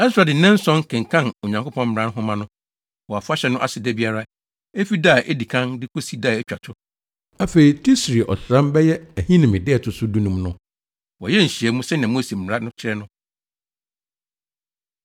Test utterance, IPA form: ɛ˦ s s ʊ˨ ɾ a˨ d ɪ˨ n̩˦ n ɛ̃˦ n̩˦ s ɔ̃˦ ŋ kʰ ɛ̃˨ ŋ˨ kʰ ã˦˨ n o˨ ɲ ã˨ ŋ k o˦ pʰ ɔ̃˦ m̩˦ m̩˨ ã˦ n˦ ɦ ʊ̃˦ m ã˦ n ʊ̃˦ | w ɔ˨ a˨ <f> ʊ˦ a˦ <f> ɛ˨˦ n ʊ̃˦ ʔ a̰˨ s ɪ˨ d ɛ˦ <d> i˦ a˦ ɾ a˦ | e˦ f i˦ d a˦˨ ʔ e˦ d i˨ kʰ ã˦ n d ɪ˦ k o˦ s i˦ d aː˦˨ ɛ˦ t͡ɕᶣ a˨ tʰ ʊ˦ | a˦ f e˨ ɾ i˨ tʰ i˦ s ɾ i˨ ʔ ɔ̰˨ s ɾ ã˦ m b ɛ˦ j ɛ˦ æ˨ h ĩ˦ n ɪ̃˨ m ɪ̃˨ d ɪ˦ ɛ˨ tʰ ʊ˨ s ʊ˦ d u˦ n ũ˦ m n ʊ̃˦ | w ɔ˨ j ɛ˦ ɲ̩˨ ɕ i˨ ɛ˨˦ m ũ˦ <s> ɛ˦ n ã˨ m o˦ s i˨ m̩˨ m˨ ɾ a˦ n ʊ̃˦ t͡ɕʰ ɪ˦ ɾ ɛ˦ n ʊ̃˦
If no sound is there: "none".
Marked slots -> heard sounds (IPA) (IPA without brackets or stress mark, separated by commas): f, ɕ, b, s